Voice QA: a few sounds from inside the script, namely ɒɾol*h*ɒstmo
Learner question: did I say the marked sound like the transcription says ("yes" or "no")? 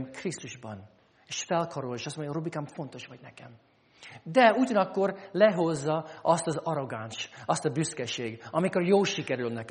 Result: no